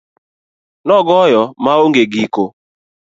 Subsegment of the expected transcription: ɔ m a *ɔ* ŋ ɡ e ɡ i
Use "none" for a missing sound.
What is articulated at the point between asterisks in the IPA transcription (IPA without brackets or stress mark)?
o